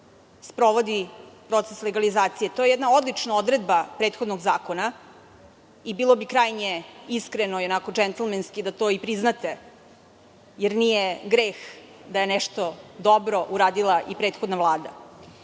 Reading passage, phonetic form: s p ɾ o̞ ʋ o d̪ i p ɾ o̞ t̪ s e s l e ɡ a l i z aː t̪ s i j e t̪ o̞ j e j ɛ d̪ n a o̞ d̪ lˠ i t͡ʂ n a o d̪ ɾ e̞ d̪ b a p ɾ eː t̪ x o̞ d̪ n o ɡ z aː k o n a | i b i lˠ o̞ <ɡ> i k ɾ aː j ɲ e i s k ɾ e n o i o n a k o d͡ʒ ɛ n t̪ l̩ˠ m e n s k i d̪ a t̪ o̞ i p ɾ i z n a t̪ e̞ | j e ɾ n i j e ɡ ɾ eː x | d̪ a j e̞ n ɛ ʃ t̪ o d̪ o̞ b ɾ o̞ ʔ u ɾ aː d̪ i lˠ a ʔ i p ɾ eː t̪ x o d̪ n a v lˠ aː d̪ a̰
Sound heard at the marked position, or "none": b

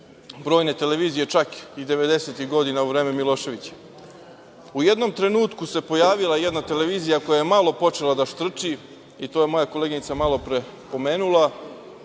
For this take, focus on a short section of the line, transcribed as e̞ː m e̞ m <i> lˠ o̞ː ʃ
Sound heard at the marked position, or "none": i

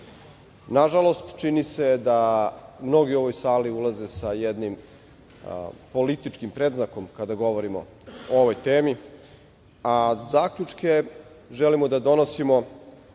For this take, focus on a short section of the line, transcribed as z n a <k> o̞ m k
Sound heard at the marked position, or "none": k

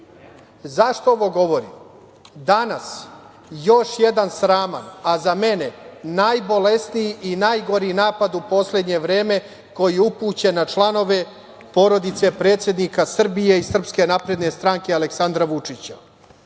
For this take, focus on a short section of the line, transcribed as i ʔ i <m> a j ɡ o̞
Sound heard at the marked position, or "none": n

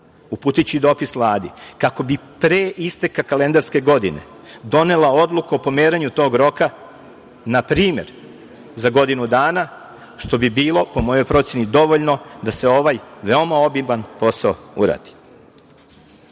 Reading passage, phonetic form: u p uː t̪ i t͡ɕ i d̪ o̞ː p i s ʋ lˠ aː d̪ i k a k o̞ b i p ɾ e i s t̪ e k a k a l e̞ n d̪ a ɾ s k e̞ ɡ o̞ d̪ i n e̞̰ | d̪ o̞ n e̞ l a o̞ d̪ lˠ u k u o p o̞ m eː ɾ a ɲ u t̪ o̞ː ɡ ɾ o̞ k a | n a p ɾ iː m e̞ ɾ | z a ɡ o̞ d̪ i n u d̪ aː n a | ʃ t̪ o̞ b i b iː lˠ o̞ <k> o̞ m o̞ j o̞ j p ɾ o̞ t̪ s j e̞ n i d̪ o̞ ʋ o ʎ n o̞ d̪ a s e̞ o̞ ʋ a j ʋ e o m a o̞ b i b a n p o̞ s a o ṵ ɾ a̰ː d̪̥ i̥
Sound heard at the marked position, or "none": p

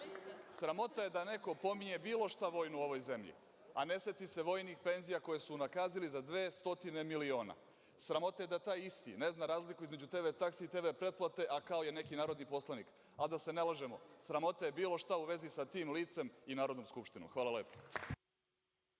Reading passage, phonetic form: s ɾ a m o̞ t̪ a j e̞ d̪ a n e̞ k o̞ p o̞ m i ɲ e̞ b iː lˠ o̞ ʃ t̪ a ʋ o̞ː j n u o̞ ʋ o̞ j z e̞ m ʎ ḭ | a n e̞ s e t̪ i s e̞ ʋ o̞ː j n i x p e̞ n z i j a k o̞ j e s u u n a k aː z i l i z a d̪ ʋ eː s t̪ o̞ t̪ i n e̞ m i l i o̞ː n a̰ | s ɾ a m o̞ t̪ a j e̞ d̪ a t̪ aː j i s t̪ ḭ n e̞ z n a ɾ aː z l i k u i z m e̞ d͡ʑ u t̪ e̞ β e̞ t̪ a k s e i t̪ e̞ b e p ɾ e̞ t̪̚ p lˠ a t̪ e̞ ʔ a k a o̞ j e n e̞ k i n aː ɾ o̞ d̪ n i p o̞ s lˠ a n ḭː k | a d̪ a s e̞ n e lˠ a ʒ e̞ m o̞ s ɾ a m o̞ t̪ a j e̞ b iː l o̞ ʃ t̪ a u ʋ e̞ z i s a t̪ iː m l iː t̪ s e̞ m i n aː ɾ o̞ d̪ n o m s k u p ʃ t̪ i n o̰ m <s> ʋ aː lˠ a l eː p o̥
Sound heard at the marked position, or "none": x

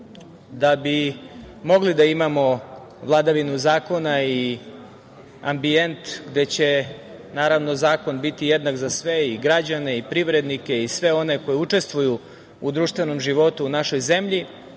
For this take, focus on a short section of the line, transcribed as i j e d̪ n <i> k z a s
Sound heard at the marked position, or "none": a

